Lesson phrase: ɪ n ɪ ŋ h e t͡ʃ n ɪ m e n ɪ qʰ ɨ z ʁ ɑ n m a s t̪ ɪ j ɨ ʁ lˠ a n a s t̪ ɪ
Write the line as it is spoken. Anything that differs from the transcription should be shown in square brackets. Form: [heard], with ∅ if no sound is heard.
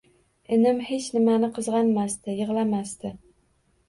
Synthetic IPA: ɪ n ɪ [m] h e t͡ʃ n ɪ m [a] n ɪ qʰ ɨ z ʁ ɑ n m a s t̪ ɪ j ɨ ʁ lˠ a [m] a s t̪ ɪ